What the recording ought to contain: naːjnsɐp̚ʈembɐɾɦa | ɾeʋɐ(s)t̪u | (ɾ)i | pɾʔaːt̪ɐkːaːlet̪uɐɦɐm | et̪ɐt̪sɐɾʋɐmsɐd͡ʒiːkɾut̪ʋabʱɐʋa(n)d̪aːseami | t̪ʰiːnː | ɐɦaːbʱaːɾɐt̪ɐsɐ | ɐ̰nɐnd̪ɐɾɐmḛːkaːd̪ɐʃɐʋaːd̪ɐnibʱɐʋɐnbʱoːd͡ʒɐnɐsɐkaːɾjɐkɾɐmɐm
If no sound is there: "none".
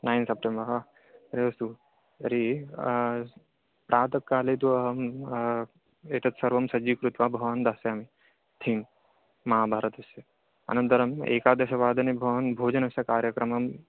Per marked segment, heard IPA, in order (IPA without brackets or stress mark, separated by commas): s, ɾ, n